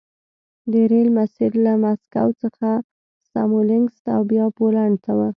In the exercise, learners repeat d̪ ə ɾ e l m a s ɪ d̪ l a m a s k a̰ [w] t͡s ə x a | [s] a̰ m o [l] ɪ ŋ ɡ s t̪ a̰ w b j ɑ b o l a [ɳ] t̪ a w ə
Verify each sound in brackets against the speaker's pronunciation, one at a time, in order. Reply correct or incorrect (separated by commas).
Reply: correct, correct, correct, correct